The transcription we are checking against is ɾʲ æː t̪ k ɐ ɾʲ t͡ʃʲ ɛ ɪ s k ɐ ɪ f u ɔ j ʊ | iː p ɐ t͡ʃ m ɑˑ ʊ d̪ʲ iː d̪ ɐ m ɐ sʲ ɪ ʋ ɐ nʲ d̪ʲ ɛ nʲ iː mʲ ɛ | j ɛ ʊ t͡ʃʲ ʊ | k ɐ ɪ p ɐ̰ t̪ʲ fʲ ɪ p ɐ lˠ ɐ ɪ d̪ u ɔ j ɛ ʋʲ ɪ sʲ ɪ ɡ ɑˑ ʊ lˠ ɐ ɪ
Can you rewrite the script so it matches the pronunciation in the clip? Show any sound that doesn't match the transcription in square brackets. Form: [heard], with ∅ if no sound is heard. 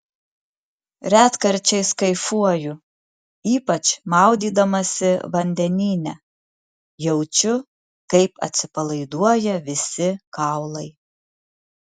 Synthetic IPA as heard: ɾʲ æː t̪ k ɐ ɾʲ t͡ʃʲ ɛ ɪ s k ɐ ɪ f u ɔ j ʊ | iː p ɐ t͡ʃ m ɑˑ ʊ d̪ʲ iː d̪ ɐ m ɐ sʲ ɪ ʋ ɐ nʲ d̪ʲ ɛ nʲ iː [nʲ] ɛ | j ɛ ʊ t͡ʃʲ ʊ | k ɐ ɪ p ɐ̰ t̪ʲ [sʲ] ɪ p ɐ lˠ ɐ ɪ d̪ u ɔ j ɛ ʋʲ ɪ sʲ ɪ [k] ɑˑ ʊ lˠ ɐ ɪ

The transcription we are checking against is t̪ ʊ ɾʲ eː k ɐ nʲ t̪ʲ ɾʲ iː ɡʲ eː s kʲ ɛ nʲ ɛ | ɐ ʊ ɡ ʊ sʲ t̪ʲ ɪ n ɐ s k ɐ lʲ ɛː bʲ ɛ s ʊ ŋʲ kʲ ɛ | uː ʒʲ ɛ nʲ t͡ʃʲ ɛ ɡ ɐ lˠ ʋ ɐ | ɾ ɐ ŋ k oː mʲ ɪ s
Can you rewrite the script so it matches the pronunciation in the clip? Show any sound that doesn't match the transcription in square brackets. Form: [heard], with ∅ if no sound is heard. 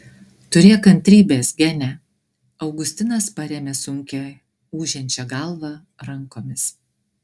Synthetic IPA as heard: t̪ ʊ ɾʲ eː k ɐ nʲ t̪ʲ ɾʲ iː [bʲ] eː s [ɡʲ] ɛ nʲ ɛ | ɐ ʊ ɡ ʊ sʲ t̪ʲ ɪ n ɐ s [p] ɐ [ɾʲ] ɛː [mʲ] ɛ s ʊ ŋʲ kʲ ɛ | uː ʒʲ ɛ nʲ t͡ʃʲ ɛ ɡ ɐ lˠ ʋ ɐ | ɾ ɐ ŋ k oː mʲ ɪ s

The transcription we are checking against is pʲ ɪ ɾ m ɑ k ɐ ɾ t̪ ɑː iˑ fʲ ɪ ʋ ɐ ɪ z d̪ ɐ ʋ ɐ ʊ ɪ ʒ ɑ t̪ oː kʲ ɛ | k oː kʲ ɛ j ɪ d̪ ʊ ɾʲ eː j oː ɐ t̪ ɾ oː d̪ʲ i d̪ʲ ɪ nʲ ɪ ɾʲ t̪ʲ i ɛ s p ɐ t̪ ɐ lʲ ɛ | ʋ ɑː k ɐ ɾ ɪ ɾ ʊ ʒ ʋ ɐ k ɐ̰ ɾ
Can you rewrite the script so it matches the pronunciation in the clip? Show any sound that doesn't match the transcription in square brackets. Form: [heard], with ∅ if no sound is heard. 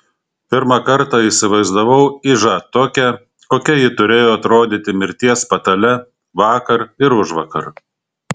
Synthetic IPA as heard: pʲ ɪ ɾ m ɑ k ɐ ɾ t̪ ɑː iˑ [sʲ] ɪ ʋ ɐ ɪ z d̪ ɐ ʋ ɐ ʊ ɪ ʒ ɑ t̪ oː kʲ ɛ | k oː kʲ ɛ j ɪ [t̪] ʊ ɾʲ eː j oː ɐ t̪ ɾ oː d̪ʲ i [t̪ʲ] ɪ [mʲ] ɪ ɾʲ t̪ʲ i ɛ s p ɐ t̪ ɐ lʲ ɛ | ʋ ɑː k ɐ ɾ ɪ ɾ ʊ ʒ ʋ ɐ k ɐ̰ ɾ

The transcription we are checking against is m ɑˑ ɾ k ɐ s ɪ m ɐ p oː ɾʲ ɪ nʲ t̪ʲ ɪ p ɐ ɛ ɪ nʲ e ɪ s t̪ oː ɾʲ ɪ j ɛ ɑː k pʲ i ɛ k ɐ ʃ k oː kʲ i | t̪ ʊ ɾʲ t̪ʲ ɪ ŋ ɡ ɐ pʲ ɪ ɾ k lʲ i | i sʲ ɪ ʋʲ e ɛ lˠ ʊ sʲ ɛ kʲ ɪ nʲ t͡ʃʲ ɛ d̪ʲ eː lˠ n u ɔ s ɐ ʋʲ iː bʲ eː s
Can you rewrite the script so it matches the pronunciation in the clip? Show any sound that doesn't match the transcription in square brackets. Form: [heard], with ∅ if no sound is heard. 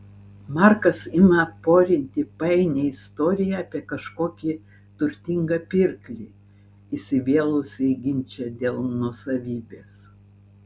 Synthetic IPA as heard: m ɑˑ ɾ k ɐ s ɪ m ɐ p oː ɾʲ ɪ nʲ t̪ʲ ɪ p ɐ ɛ ɪ nʲ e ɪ s t̪ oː ɾʲ ɪ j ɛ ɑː [∅] pʲ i ɛ k ɐ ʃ k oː kʲ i | t̪ ʊ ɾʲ t̪ʲ ɪ ŋ ɡ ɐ pʲ ɪ ɾ k lʲ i | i sʲ ɪ ʋʲ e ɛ lˠ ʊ sʲ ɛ [ɡʲ] ɪ nʲ t͡ʃʲ ɛ d̪ʲ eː lˠ n u ɔ s ɐ ʋʲ iː bʲ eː s

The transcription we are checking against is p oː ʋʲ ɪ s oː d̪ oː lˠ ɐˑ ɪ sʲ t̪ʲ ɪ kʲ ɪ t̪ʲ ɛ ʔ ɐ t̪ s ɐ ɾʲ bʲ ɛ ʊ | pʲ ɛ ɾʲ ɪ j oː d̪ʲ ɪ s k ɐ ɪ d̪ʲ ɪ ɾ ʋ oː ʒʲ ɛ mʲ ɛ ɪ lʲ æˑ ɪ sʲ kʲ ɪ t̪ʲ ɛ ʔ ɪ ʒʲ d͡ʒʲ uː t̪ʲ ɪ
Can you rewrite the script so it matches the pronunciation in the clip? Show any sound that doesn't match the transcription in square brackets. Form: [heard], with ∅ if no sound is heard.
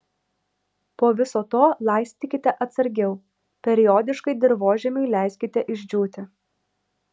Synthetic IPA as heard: p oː ʋʲ ɪ s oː [t̪] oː lˠ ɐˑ ɪ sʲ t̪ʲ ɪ kʲ ɪ t̪ʲ ɛ ʔ ɐ t̪ s ɐ ɾʲ [ɡʲ] ɛ ʊ | pʲ ɛ ɾʲ ɪ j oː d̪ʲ ɪ [ʃ] k ɐ ɪ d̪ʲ ɪ ɾ ʋ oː ʒʲ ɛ mʲ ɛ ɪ lʲ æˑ ɪ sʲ kʲ ɪ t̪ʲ ɛ ʔ ɪ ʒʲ d͡ʒʲ uː t̪ʲ ɪ

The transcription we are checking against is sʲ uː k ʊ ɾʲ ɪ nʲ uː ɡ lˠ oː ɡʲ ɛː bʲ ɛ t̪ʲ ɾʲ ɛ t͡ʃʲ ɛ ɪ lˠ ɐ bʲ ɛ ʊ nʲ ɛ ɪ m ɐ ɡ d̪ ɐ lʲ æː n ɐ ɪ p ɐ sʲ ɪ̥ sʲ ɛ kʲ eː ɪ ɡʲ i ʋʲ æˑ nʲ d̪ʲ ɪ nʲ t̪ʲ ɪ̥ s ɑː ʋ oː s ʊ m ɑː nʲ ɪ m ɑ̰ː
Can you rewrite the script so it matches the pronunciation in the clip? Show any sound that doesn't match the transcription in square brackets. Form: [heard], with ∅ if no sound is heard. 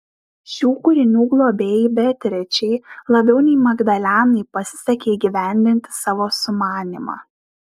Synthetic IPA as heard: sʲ uː k ʊ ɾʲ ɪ nʲ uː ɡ lˠ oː [bʲ] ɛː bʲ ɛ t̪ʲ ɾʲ ɛ t͡ʃʲ ɛ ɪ lˠ ɐ bʲ ɛ ʊ nʲ ɛ ɪ m ɐ ɡ d̪ ɐ lʲ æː n ɐ ɪ p ɐ sʲ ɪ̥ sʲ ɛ kʲ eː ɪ ɡʲ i ʋʲ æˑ nʲ d̪ʲ ɪ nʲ t̪ʲ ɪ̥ s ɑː ʋ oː s ʊ m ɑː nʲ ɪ m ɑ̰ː

